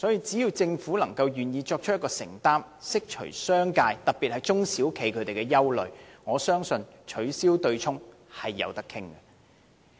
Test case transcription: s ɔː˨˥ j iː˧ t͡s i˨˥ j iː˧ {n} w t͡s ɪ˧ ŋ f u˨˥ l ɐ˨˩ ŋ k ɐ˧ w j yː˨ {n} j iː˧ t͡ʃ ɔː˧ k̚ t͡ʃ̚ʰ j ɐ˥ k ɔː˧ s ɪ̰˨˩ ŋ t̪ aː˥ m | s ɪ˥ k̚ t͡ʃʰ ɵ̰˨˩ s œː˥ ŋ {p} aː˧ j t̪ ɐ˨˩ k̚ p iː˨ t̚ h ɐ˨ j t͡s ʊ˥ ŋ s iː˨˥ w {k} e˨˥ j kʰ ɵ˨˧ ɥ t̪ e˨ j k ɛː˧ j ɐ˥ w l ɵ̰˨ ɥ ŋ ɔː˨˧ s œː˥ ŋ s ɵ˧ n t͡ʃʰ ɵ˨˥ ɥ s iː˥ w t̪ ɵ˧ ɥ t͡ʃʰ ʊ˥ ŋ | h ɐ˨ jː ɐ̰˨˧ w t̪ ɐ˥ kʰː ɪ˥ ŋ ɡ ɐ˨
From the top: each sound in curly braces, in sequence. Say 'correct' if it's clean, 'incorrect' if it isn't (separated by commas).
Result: incorrect, correct, incorrect, incorrect